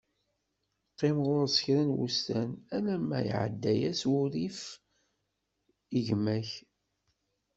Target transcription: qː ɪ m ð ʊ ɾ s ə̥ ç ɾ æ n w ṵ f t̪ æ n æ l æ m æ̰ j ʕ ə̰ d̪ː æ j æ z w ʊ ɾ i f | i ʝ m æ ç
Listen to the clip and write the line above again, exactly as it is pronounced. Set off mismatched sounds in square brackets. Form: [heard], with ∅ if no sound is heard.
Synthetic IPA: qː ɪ m [ʁ] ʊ ɾ s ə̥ ç ɾ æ n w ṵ [s] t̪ æ n æ l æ m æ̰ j ʕ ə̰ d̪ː æ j æ [s] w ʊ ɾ i f | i ʝ m æ ç